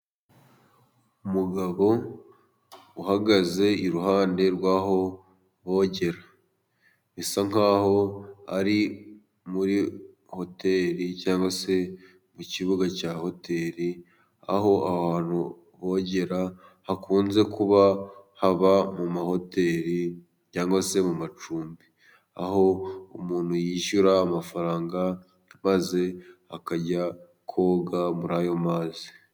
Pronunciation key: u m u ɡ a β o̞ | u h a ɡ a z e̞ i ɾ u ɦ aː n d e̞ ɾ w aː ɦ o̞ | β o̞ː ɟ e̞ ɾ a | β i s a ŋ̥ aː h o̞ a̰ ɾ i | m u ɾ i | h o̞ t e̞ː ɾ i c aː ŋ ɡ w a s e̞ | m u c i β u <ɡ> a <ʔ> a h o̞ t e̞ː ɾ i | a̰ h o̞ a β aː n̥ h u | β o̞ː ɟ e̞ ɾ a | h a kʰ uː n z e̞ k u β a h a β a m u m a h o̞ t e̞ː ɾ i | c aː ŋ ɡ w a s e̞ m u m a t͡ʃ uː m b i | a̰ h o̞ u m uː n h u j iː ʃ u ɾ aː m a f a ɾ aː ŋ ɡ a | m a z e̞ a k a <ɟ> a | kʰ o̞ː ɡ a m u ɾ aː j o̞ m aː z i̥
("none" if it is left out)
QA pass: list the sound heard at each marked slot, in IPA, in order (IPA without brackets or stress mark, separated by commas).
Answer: ɡ, c, ɟ